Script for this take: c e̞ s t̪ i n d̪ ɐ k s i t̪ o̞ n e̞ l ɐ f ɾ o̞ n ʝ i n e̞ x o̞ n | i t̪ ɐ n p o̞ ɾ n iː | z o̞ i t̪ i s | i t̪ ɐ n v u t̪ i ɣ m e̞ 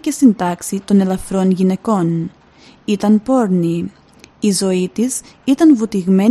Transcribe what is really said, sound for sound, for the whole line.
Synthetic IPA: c e̞ s t̪ i n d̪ ɐ k s i t̪ o̞ n e̞ l ɐ f ɾ o̞ n ʝ i n e̞ k o̞ n | i t̪ ɐ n p o̞ ɾ n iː | z o̞ i t̪ i s | i t̪ ɐ n v u t̪ i ɣ m e̞